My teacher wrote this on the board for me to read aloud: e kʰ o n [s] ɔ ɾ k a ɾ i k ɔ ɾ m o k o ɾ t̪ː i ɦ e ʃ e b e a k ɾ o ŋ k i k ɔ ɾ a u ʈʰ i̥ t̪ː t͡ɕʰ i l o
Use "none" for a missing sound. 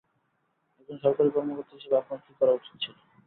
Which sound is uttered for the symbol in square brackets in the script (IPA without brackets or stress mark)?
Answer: ʃ